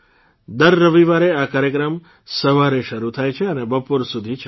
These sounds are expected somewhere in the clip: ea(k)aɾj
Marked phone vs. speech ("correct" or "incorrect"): correct